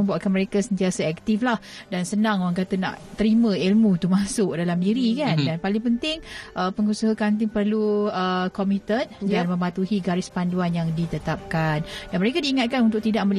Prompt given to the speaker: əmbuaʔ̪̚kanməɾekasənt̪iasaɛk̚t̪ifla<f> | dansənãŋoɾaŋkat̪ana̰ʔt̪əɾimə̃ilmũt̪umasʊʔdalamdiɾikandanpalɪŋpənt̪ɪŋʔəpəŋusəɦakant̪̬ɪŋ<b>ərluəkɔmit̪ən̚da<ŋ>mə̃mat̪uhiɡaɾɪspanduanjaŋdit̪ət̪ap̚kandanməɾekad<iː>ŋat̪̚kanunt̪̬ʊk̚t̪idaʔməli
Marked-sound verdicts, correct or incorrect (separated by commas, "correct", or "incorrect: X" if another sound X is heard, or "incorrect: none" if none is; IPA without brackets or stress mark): incorrect: h, incorrect: p, incorrect: n, correct